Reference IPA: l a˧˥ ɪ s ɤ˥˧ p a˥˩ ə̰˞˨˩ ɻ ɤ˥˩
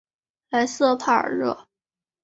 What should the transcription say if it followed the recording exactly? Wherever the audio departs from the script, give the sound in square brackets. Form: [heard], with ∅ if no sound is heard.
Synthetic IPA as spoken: l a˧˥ ɪ s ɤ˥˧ [pʰ] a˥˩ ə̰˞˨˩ ɻ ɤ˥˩